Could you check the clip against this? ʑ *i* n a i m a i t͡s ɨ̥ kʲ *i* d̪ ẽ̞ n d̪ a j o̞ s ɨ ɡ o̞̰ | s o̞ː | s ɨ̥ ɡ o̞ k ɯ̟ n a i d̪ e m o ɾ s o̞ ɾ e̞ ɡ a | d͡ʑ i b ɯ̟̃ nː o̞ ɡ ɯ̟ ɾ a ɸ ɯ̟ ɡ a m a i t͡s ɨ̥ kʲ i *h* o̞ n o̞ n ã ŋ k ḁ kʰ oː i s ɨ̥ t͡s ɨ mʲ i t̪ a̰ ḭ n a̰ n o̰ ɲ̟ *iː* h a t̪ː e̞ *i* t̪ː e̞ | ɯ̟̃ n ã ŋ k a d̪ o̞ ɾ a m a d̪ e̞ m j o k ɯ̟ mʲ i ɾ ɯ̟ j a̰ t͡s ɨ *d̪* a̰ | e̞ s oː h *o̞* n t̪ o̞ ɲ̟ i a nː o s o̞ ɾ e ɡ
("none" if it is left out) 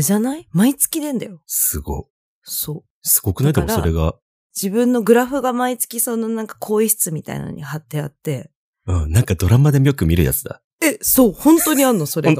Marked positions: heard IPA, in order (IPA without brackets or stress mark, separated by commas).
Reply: a, i, s, i, a, d̪, õ̞